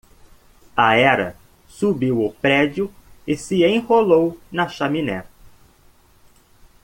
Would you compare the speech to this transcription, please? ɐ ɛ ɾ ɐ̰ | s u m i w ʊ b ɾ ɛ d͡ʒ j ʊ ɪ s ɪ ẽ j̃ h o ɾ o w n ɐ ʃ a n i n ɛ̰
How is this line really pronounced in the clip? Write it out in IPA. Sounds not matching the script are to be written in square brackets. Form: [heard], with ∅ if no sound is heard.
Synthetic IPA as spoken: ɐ ɛ ɾ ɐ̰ | s u [b] i w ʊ [p] ɾ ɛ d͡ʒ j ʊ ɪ s ɪ ẽ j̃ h o [l] o w n ɐ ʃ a [m] i n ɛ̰

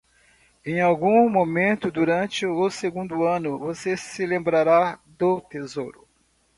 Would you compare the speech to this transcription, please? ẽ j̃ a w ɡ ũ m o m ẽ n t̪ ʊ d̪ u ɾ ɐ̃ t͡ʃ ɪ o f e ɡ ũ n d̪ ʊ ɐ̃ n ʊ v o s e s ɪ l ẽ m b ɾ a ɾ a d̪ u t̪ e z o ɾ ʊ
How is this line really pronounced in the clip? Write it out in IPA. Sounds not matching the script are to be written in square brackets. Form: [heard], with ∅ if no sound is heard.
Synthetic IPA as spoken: ẽ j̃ a w ɡ ũ m o m ẽ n t̪ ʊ d̪ u ɾ ɐ̃ t͡ʃ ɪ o [s] e ɡ ũ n d̪ ʊ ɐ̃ n ʊ v o s e s ɪ l ẽ m b ɾ a ɾ a d̪ [ʊ] t̪ e z o ɾ ʊ

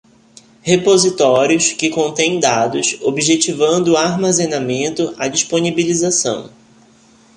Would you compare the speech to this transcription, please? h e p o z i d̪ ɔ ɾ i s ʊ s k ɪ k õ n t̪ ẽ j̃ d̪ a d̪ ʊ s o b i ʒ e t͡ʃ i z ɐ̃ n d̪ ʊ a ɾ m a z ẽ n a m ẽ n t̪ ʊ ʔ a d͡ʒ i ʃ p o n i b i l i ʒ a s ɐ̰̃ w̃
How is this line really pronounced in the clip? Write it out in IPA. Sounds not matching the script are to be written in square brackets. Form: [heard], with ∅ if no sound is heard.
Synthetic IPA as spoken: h e p o z i [t̪] ɔ ɾ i [∅] ʊ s k ɪ k õ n t̪ ẽ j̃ d̪ a d̪ ʊ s o b i ʒ e t͡ʃ i [v] ɐ̃ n d̪ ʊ a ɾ m a z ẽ n a m ẽ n t̪ ʊ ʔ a d͡ʒ i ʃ p o n i b i l i [z] a s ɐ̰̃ w̃

